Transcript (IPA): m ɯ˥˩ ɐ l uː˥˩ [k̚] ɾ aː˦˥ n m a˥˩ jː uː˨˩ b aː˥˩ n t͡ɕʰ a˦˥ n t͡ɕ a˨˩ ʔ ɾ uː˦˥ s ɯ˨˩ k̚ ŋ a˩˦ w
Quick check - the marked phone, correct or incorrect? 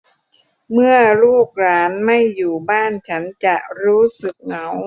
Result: correct